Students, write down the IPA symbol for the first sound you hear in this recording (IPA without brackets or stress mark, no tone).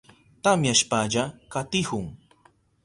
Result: t̪